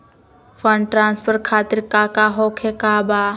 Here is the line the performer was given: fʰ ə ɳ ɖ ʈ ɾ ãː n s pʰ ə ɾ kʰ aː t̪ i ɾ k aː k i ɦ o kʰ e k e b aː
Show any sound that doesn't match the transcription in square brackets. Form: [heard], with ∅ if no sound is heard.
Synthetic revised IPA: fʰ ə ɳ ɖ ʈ ɾ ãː n s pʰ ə ɾ kʰ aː t̪ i ɾ k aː k [a] ɦ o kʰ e k [a] b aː